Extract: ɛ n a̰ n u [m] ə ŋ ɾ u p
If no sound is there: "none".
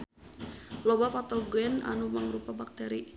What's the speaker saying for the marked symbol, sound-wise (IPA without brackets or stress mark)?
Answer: m